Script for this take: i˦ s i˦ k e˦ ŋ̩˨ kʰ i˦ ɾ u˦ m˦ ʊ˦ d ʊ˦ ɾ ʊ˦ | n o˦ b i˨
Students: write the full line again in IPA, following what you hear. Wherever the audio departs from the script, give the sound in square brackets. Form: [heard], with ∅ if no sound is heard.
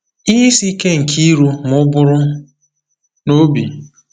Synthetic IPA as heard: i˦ s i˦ k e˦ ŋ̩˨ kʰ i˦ ɾ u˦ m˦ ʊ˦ [b] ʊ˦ ɾ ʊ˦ | n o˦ b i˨